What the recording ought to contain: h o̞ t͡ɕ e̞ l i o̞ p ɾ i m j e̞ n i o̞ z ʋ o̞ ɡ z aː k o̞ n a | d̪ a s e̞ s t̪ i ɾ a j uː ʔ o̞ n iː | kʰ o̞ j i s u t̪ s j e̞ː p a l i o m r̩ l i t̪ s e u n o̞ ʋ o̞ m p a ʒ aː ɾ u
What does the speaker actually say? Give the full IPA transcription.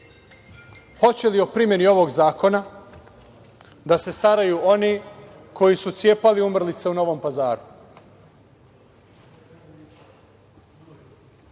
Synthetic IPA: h o̞ t͡ɕ e̞ l i o̞ p ɾ i m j e̞ n i o̞ ʋ o̞ ɡ z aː k o̞ n a | d̪ a s e̞ s t̪ a ɾ a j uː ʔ o̞ n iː | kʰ o̞ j i s u t̪ s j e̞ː p a l i u m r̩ l i t̪ s e u n o̞ ʋ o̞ m p a z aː ɾ u